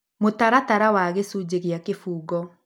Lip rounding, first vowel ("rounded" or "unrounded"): rounded